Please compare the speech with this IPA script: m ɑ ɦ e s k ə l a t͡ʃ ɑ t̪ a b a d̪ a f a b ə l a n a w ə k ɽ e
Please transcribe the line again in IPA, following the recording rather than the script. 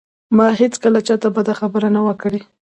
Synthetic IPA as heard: m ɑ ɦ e t͡s k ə l a t͡ʃ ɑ t̪ a b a d̪ a x a b ə ɾ a n a w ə k ɽ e